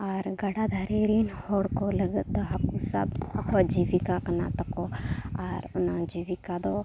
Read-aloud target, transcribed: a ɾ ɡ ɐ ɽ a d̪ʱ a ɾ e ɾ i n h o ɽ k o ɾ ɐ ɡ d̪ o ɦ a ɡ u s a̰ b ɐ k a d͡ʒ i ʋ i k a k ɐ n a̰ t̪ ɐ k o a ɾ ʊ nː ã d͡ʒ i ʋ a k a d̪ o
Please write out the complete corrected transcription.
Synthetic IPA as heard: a ɾ ɡ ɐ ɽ a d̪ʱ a ɾ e ɾ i n h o ɽ k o l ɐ ɡ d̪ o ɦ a k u s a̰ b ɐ k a d͡ʒ i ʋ i k a k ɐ n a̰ t̪ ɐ k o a ɾ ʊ n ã d͡ʒ i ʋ i k a d̪ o